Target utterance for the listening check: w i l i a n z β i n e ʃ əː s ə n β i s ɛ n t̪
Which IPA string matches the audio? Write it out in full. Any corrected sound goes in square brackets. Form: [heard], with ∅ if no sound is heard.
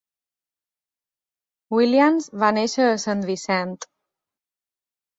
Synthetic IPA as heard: w i l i a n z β [a] n e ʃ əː s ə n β i s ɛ n t̪